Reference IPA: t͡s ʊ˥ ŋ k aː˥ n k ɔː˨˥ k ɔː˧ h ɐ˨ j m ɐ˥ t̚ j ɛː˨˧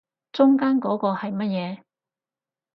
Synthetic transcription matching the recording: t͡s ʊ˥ ŋ k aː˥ n k ɔː˨˥ k ɔː˧ h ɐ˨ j m ɐ˥ t̚ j ɛː˨˧